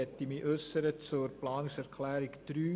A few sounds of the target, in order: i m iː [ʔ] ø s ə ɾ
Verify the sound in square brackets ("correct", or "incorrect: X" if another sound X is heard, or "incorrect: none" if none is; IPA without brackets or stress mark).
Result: correct